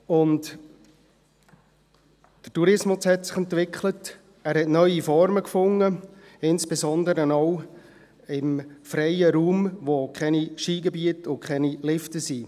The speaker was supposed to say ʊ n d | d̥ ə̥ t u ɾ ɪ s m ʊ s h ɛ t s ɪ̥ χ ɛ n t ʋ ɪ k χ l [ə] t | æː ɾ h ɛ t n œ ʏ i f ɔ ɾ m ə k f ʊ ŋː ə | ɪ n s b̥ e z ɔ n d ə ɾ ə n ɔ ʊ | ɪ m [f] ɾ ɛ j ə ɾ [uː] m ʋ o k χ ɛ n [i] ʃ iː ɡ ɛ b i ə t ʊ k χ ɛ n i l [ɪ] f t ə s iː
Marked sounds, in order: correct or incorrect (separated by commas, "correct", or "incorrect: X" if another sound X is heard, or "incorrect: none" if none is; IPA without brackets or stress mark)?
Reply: correct, correct, correct, correct, correct